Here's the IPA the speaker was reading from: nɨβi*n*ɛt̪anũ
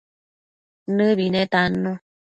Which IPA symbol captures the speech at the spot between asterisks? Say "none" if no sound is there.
n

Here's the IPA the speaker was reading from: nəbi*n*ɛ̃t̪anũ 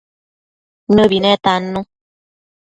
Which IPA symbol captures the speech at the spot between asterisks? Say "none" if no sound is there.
n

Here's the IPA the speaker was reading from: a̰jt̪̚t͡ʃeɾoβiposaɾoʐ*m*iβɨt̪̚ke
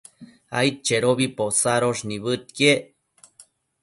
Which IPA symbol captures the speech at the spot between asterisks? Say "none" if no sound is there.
n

